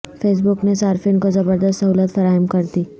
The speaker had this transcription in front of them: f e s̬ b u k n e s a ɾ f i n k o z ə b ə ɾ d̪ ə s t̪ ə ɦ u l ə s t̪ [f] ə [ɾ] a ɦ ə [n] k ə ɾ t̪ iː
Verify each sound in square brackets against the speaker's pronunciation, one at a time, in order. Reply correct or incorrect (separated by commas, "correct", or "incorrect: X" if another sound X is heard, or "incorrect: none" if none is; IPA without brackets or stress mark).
correct, correct, incorrect: m